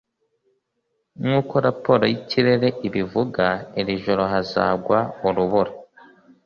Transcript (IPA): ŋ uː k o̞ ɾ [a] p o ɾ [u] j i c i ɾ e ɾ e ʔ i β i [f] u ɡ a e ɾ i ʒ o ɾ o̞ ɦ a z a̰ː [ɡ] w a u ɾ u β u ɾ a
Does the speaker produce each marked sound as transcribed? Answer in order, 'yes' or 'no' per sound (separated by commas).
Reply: yes, no, no, yes